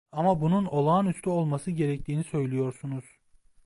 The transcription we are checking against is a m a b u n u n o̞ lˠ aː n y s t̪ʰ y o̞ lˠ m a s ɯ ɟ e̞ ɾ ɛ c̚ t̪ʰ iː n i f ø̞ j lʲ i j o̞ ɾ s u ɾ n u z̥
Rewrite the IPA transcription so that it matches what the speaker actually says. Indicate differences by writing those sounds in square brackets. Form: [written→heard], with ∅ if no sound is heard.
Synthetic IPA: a m a b u n u n o̞ lˠ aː n y s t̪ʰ y o̞ lˠ m a s ɯ ɟ e̞ ɾ ɛ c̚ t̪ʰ iː n i [f→s] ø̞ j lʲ i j o̞ ɾ s u [ɾ→∅] n u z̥